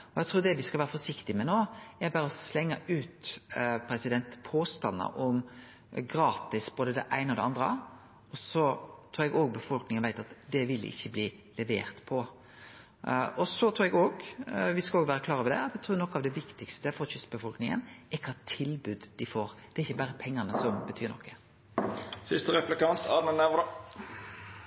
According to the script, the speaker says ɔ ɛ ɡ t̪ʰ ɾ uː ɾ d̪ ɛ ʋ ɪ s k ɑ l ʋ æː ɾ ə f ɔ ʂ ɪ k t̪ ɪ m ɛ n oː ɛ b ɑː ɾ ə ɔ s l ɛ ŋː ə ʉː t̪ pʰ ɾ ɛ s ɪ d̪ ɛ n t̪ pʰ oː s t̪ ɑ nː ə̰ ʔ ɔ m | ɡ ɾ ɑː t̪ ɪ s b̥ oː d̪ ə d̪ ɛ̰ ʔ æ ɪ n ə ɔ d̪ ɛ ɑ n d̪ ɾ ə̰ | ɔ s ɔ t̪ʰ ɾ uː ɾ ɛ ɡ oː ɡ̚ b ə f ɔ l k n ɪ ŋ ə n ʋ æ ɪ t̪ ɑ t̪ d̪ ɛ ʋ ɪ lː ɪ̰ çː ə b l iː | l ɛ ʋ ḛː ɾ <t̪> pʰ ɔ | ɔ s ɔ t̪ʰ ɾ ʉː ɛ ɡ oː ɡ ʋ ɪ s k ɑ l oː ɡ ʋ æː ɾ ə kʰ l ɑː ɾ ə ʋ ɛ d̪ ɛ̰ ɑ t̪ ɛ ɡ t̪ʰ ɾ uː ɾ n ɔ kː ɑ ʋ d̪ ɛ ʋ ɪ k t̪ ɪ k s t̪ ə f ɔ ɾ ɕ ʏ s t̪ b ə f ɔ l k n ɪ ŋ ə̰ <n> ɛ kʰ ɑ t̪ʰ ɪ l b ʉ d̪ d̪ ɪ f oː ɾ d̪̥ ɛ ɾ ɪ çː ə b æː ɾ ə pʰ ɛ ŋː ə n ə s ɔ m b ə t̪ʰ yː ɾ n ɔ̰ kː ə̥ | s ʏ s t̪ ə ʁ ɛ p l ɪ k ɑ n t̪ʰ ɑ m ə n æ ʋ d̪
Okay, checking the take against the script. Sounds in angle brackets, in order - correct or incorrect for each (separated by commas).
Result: correct, correct